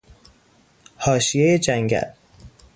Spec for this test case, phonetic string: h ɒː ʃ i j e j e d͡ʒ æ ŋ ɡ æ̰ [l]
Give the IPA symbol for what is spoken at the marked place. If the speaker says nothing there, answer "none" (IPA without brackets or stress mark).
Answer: l